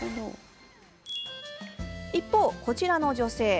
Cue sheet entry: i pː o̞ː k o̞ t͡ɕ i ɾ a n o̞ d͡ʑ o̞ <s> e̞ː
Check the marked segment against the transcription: correct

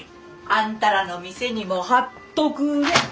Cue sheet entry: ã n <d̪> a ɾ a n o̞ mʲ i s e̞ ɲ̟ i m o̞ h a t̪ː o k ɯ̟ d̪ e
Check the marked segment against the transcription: incorrect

